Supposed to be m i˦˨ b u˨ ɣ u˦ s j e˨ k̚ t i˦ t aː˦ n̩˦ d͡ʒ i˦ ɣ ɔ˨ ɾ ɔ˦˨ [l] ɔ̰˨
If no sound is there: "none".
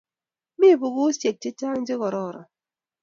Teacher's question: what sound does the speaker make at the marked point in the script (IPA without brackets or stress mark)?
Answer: ɾ